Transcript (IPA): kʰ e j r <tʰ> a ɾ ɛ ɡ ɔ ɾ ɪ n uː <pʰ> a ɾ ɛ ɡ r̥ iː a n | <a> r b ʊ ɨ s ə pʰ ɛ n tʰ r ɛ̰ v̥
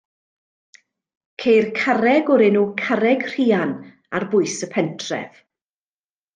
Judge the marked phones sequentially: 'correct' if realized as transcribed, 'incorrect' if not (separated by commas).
incorrect, incorrect, correct